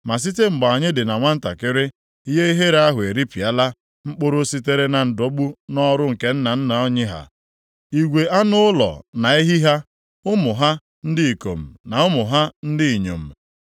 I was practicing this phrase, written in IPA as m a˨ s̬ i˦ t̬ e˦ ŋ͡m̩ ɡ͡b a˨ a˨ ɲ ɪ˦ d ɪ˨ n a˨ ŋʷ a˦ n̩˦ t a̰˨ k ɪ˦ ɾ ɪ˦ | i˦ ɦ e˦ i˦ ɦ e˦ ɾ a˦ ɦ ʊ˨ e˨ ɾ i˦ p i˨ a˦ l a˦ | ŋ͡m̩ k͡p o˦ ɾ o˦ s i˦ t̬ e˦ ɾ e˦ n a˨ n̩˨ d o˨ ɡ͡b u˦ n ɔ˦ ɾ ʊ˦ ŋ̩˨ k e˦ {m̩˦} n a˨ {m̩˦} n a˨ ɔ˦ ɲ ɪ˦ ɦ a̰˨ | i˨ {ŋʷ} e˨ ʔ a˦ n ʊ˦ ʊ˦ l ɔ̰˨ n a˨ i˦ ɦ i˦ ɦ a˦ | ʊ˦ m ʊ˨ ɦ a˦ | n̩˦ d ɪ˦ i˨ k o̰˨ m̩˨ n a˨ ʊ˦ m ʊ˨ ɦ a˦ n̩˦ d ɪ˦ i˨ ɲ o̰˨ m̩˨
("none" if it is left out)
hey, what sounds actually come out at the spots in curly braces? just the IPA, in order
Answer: n̩˦, n̩˦, ɡʷ

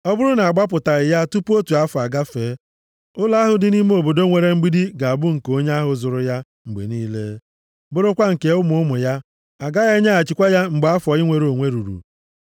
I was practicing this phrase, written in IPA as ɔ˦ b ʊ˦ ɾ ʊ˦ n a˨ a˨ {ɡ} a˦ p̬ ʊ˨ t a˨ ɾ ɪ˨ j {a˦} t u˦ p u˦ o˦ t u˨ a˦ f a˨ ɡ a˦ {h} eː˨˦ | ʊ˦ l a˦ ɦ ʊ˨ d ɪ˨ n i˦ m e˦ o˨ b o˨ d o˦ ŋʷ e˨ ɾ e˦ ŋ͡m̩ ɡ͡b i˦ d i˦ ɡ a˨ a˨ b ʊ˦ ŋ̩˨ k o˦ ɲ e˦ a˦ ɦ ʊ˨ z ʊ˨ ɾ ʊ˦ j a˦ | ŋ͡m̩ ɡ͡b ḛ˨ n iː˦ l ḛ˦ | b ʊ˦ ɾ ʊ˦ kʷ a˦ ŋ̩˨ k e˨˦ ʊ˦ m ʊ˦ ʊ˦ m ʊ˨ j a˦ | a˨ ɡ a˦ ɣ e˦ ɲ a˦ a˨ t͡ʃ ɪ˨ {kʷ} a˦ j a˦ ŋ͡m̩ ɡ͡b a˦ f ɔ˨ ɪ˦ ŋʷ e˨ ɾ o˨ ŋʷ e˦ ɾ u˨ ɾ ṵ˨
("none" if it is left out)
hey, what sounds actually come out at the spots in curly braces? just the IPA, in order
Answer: ɡ͡b, a˦, f, kʷ

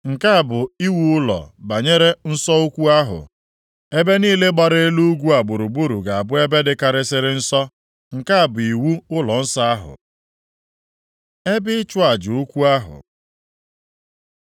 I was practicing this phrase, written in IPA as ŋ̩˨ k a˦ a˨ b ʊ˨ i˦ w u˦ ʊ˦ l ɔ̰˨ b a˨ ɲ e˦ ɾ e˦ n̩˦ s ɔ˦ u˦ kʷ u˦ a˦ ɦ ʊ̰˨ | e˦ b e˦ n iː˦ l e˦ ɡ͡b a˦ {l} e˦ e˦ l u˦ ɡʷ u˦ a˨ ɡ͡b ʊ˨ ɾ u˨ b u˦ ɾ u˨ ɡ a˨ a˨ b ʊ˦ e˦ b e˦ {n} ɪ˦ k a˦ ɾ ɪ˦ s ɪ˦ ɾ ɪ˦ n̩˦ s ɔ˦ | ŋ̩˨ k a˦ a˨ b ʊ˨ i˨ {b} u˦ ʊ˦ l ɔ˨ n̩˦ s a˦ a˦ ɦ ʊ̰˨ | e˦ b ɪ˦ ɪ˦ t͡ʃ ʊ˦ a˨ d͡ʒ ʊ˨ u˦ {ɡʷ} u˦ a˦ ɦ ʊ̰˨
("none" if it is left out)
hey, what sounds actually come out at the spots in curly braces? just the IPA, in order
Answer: ɾ, d, w, kʷ

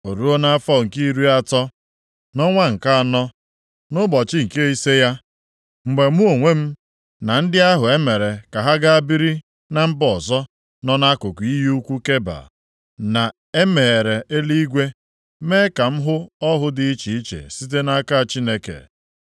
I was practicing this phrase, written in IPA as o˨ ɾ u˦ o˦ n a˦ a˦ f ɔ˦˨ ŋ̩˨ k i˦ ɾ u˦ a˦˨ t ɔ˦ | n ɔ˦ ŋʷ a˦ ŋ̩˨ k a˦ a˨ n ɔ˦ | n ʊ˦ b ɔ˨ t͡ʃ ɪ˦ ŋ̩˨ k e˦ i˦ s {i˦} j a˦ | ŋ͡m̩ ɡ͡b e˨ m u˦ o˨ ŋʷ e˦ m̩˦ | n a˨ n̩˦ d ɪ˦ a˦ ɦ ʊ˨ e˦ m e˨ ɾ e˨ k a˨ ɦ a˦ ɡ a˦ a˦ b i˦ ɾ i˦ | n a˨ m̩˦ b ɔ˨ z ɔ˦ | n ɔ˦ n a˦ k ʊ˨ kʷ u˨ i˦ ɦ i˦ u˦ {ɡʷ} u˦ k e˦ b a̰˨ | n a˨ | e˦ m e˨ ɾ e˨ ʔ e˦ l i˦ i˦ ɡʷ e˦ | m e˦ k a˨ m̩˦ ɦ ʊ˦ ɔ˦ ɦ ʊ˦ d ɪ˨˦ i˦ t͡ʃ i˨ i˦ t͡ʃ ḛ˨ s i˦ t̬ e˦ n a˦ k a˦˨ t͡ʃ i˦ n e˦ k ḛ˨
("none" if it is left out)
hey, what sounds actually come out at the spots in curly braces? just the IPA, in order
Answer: e˦, kʷ

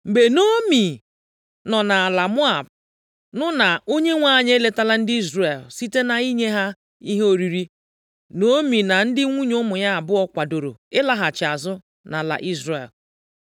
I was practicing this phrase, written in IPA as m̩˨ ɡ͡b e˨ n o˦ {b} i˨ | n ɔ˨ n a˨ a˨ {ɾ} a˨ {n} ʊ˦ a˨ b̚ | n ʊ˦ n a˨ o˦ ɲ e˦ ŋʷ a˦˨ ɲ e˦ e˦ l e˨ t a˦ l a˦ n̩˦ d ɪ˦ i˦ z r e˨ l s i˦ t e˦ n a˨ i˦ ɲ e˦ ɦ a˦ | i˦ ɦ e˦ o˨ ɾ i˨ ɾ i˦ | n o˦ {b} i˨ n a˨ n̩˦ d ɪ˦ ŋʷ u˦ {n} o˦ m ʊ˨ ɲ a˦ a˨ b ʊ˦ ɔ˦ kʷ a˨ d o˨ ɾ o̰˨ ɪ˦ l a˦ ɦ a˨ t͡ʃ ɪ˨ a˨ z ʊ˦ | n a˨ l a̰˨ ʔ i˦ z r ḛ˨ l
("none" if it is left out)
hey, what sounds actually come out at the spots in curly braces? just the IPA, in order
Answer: m, l, m, m, ɲ

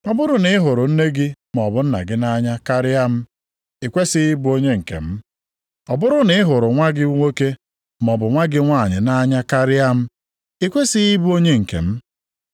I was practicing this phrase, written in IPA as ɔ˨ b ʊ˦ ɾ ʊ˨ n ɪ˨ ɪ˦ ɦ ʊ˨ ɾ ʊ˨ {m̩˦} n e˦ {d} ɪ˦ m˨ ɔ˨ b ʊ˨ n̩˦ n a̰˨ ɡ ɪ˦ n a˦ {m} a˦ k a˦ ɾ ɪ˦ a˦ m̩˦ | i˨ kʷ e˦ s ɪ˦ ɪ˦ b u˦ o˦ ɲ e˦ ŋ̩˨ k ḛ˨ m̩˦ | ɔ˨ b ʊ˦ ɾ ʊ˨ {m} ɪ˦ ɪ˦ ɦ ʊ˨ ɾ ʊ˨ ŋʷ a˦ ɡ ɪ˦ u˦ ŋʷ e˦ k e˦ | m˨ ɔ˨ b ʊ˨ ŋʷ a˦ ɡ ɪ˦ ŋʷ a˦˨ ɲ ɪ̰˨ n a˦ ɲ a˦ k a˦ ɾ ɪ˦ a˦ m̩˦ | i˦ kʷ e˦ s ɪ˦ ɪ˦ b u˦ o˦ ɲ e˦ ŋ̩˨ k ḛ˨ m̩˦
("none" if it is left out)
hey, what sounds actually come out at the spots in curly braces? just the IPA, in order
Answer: n̩˦, ɡ, ɲ, n

